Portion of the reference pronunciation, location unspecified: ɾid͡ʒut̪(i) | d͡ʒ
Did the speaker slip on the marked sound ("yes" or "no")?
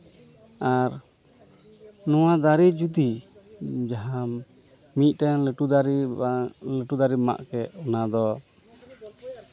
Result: no